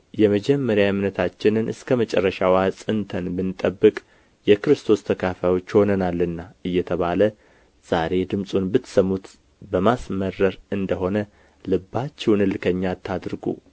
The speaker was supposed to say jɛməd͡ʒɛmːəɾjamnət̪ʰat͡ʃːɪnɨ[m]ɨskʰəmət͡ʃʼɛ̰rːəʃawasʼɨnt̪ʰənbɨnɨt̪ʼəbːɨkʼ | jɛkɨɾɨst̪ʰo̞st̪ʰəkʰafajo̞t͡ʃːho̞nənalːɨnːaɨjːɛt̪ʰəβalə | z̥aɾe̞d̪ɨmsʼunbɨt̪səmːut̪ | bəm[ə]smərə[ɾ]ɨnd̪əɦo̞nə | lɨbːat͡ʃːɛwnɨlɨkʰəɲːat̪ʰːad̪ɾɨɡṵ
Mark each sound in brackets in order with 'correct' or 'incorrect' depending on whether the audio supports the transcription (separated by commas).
incorrect, incorrect, correct